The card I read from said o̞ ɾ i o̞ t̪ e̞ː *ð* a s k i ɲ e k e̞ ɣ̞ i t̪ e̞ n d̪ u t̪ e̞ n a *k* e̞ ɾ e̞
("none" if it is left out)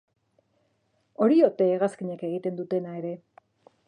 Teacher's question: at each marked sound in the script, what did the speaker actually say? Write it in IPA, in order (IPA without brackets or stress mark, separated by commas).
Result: ɣ, none